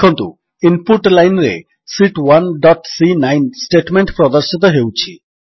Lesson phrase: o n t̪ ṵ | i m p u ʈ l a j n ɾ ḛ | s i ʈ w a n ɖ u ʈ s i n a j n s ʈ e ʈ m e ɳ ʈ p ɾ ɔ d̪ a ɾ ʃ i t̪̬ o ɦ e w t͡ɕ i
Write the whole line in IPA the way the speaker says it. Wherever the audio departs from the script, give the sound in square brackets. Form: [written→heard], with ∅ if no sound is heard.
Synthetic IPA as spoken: o n t̪ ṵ | i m p u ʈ l a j n ɾ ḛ | s i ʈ w a n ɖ [u→ɔ] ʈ s i n a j n s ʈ e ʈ m e ɳ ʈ p ɾ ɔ d̪ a ɾ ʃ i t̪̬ o ɦ e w [t͡ɕ→t͡ɕʰ] i

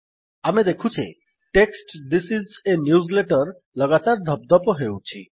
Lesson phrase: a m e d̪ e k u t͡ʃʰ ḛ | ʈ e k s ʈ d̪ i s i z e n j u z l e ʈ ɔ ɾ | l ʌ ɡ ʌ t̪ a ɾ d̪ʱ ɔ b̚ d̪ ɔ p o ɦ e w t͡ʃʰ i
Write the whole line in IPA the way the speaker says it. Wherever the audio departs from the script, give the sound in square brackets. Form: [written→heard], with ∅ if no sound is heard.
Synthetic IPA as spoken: a m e d̪ e [k→kʰ] u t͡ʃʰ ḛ | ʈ e k s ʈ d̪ i s i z e n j u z l e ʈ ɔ ɾ | l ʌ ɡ [ʌ→a] t̪ a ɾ d̪ʱ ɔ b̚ d̪ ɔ p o ɦ e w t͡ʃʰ i

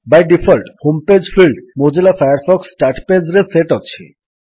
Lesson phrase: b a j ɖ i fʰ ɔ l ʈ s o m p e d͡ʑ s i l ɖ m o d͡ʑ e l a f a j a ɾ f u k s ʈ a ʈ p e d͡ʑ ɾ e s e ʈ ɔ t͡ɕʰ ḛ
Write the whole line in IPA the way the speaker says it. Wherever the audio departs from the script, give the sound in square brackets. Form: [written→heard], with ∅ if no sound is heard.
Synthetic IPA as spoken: b a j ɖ i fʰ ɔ l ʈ [s→h] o m p e d͡ʑ [s→f] i l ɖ m o d͡ʑ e l a f a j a ɾ f [u→ɔ] k s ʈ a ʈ p e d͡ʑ ɾ e s e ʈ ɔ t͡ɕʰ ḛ

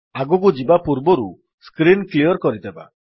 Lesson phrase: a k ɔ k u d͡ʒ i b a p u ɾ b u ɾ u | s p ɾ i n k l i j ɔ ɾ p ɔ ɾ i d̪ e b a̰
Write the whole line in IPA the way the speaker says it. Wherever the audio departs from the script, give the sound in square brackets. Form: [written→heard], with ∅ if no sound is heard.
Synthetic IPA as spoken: a [k→ɡ] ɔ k u d͡ʒ i b a p u ɾ b [u→ɔ] ɾ u | s [p→k] ɾ i n k l i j ɔ ɾ [p→k] ɔ ɾ i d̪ e b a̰

